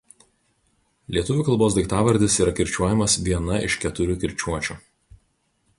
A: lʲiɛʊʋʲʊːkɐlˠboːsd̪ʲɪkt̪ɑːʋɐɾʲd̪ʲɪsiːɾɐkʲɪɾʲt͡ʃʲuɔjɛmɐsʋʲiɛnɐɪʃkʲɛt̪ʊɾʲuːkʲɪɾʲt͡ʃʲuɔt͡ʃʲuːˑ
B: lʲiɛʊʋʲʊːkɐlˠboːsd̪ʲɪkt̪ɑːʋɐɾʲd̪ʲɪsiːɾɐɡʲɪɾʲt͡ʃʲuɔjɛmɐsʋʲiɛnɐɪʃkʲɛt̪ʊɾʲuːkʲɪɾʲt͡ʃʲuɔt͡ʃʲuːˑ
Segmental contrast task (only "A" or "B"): A